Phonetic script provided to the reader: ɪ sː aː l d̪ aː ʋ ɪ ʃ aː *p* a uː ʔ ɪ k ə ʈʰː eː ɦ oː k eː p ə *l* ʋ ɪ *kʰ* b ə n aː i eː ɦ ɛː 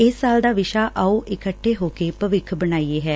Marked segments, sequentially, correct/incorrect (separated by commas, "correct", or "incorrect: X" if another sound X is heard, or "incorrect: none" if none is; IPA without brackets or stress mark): incorrect: ʔ, incorrect: none, correct